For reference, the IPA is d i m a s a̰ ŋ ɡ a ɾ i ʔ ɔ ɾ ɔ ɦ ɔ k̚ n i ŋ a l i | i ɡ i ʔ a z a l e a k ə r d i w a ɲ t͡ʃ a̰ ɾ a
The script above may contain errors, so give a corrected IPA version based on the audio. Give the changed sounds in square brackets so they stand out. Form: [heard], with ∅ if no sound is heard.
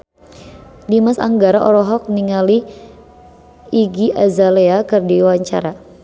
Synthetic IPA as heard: d i m a s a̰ ŋ ɡ a ɾ [a] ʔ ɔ ɾ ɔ ɦ ɔ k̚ n i ŋ a l i | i ɡ i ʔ a z a l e a k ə r d i w a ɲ t͡ʃ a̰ ɾ a